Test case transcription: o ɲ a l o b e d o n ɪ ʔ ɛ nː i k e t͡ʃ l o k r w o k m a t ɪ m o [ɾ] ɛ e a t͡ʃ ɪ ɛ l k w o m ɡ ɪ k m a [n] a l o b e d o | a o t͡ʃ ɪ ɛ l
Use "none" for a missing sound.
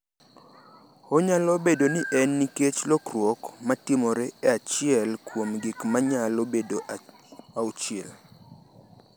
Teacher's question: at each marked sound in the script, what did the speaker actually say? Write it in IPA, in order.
ɾ, ɲ

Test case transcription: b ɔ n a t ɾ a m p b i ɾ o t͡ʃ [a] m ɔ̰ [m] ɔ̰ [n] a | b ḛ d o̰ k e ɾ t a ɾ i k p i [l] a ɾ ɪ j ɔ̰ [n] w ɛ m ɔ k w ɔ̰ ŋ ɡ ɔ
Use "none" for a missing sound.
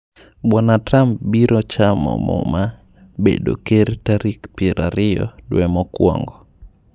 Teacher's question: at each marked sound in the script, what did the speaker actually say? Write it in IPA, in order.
a, m, m, ɾ, d

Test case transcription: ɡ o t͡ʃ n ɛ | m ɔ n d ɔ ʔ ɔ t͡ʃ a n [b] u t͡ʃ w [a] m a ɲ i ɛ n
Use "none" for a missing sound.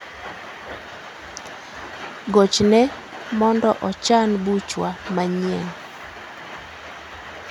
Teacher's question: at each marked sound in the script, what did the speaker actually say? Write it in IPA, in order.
b, a

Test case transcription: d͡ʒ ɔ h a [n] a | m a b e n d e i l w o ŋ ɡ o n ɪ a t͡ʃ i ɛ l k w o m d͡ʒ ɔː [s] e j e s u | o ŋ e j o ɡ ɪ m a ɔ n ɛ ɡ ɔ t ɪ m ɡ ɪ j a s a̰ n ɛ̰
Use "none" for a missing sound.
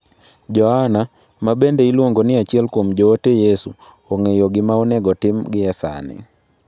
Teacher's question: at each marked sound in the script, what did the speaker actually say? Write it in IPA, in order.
n, t

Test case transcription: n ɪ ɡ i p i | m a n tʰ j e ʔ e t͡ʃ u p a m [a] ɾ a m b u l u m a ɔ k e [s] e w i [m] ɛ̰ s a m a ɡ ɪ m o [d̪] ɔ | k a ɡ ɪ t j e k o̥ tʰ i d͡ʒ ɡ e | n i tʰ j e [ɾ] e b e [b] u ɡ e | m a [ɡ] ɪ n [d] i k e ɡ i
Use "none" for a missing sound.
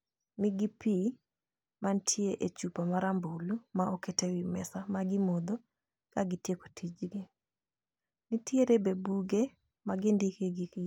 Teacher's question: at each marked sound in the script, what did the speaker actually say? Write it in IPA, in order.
a, t, m, d̪, ɾ, b, ɡ, d

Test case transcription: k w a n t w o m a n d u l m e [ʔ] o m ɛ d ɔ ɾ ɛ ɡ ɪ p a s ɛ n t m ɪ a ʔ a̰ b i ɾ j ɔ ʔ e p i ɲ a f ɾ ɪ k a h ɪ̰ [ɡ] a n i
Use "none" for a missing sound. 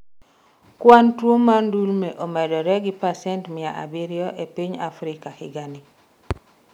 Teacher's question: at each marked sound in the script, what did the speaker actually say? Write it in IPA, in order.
ʔ, ɡ

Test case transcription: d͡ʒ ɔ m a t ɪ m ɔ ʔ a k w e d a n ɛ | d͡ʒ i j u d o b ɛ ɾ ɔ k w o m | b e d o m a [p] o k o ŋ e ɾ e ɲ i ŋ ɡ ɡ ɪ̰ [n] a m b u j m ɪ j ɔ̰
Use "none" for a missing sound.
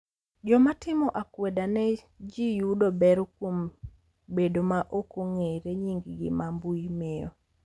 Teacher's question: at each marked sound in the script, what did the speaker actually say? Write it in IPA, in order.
ʔ, m

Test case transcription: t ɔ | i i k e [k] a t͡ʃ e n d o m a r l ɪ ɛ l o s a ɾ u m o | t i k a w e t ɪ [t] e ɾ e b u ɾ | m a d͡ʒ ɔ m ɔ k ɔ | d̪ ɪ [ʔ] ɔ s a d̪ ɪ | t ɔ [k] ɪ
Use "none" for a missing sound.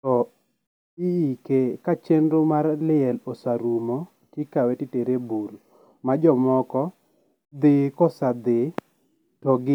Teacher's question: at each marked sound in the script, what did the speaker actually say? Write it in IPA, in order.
k, t, k, ɡ

